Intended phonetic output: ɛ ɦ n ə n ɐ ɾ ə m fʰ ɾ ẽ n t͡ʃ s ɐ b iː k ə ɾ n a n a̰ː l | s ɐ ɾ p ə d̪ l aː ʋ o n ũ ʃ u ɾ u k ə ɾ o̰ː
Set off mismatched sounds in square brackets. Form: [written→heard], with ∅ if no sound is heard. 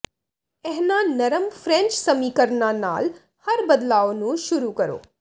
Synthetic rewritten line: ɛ ɦ n [ə→a] n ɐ ɾ ə m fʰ ɾ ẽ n t͡ʃ s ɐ [b→m] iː k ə ɾ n a n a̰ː l | [s→h] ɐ ɾ [p→b] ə d̪ l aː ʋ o n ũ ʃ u ɾ u k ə ɾ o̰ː